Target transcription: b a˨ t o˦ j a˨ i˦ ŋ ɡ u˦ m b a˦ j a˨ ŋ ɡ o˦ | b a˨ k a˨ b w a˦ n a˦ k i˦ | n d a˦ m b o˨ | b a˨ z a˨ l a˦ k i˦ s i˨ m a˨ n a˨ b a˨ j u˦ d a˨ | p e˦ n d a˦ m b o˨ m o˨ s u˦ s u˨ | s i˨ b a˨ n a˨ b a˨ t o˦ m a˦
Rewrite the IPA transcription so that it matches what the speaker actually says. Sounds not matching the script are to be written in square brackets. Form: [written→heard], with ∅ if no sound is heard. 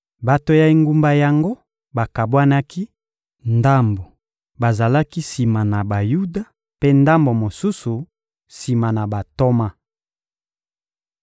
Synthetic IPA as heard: b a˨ t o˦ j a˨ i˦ ŋ ɡ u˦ m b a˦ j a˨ ŋ ɡ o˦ | b a˨ k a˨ b w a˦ n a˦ k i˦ | n d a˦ m b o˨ | b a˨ z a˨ l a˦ k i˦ s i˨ m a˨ n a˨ b a˨ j u˦ d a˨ | p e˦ n d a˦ m b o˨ m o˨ s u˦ s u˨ | s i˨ [b→m] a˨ n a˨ b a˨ t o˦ m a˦